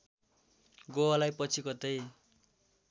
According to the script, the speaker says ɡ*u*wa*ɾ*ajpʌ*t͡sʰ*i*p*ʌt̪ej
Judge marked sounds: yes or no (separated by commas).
no, no, yes, no